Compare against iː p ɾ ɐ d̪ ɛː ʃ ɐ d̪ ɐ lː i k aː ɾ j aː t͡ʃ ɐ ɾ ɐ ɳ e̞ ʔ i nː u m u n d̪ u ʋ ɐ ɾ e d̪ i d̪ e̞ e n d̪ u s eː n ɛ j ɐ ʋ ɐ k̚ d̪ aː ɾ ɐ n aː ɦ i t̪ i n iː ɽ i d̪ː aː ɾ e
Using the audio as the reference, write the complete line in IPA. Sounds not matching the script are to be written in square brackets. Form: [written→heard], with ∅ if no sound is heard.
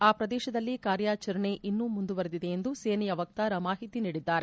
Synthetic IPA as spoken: [iː→aː] p ɾ ɐ d̪ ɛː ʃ ɐ d̪ ɐ lː i k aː ɾ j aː t͡ʃ ɐ ɾ ɐ ɳ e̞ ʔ i nː u m u n d̪ u ʋ ɐ ɾ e d̪ i d̪ e̞ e n d̪ u s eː n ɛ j ɐ ʋ ɐ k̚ [d̪→t̪] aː ɾ ɐ [n→m] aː ɦ i t̪ i n iː ɽ i d̪ː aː ɾ e